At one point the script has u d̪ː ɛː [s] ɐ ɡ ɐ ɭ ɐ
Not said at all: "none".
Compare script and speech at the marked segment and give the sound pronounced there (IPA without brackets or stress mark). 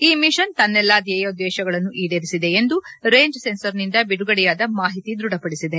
ʃ